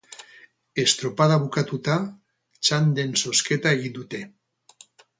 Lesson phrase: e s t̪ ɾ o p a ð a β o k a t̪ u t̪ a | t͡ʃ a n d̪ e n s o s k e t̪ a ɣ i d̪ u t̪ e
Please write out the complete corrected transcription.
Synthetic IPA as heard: e s t̪ ɾ o p a ð a β u k a t̪ u t̪ a | t͡ʃ a n d̪ e n s o s k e t̪ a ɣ i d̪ u t̪ e

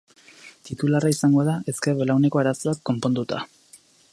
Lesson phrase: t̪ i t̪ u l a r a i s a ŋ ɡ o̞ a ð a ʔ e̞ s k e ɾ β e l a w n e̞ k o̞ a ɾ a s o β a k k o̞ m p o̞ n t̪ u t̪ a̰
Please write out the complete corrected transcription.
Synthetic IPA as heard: t̪ i t̪ u l a r a i s a ŋ ɡ o̞ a ð a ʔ e̞ s k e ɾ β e l a w n e̞ k o̞ a ɾ a s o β a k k o̞ m p o̞ n d̪ u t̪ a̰

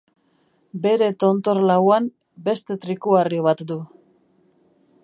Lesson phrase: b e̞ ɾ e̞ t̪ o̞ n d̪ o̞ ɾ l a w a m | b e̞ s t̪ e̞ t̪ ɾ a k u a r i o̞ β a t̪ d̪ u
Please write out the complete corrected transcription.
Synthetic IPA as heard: b e̞ ɾ e̞ t̪ o̞ n t̪ o̞ ɾ l a w a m | b e̞ s t̪ e̞ t̪ ɾ i k u a r i o̞ β a t̪ d̪ u

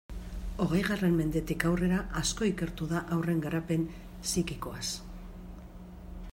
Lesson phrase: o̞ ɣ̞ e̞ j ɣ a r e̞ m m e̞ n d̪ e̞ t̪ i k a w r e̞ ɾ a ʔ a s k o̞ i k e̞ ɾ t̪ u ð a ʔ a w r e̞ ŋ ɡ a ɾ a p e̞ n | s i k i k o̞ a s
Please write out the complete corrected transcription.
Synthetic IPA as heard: o̞ ɣ̞ e̞ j ɣ a r e̞ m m e̞ n d̪ e̞ t̪ i k a w r e̞ ɾ a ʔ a s k o̞ i k e̞ ɾ t̪ u ð a ʔ a w r e̞ ŋ ɡ a ɾ a p e̞ n | s i k i k o̞ a s

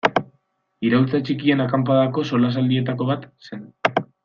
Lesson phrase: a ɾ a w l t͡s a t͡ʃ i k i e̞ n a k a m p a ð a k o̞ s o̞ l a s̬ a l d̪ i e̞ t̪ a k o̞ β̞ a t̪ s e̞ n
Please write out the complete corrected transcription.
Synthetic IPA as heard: i ɾ a w l t͡s a t͡ʃ i k i e̞ n a k a m p a ð a k o̞ s o̞ l a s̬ a l d̪ i e̞ t̪ a k o̞ β̞ a t̪ s e̞ n

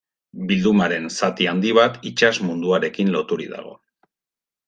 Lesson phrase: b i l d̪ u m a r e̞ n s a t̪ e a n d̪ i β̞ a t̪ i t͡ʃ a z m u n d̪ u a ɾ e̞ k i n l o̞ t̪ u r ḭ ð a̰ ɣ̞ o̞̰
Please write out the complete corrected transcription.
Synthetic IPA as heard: b i l d̪ u m a ɾ e̞ n s a t̪ i a n d̪ i β̞ a t̪ i t͡ʃ a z m u n d̪ u a ɾ e̞ k i n l o̞ t̪ u ɾ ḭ ð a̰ ɣ̞ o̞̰

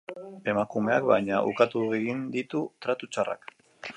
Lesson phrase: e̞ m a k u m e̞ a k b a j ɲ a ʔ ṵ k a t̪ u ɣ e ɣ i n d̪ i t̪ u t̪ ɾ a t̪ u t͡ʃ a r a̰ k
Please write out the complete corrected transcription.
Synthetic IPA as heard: e̞ m a k u m e̞ a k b a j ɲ a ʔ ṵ k a t̪ u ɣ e ɣ i n d̪ i t̪ u t̪ ɾ a t̪ u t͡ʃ a r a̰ k

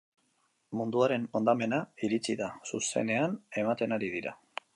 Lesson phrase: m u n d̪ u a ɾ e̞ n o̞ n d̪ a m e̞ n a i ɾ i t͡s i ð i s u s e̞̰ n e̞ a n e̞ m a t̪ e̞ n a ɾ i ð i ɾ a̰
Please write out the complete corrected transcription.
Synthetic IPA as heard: m u n d̪ u a ɾ e̞ n o̞ n d̪ a m e̞ n a i ɾ i t͡s i ð a s u s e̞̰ n e̞ a n e̞ m a t̪ e̞ n a ɾ i ð i ɾ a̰

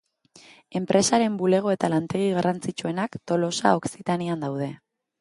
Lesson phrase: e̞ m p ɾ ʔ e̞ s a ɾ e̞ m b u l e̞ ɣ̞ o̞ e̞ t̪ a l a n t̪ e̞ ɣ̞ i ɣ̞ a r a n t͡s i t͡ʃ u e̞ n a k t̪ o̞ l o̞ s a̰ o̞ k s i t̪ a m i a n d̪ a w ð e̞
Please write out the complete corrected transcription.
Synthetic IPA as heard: e̞ m p ɾ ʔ e̞ s a ɾ e̞ m b u l e̞ ɣ̞ o̞ e̞ t̪ a l a n t̪ e̞ ɣ̞ i ɣ̞ a r a n t͡s i t͡ʃ u e̞ n a k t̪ o̞ l o̞ s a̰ o̞ k s i t̪ a n i a n d̪ a w ð e̞

